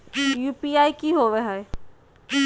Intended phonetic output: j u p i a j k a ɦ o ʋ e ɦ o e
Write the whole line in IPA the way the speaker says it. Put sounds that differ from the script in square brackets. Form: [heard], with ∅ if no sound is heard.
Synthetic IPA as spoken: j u p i a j k [i] ɦ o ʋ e ɦ [ɔ] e